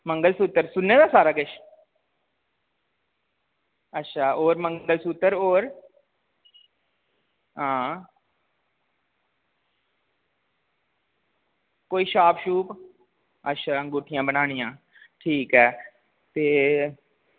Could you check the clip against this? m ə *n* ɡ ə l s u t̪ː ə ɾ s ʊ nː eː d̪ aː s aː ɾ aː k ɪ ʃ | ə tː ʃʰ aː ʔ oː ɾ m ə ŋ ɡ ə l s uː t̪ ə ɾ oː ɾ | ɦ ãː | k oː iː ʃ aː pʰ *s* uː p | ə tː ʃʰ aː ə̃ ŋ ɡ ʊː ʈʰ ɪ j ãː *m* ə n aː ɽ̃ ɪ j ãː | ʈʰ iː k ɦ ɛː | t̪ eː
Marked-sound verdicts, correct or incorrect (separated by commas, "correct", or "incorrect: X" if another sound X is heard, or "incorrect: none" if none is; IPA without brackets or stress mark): incorrect: ŋ, incorrect: ʃ, incorrect: b